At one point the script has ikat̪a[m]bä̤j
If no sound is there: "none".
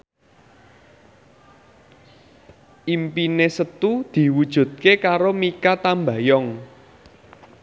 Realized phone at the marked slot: m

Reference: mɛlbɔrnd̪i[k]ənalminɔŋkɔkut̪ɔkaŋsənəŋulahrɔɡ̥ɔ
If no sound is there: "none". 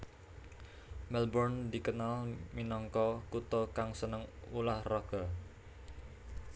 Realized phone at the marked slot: k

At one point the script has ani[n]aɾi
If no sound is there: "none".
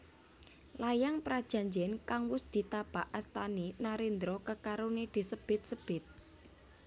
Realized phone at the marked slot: n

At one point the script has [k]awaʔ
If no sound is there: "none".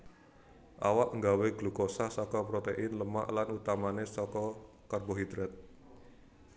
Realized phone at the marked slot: ʔ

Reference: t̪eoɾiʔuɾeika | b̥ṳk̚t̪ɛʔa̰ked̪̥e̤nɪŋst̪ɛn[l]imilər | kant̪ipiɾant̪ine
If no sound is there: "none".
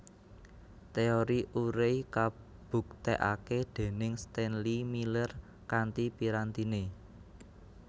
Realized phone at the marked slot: l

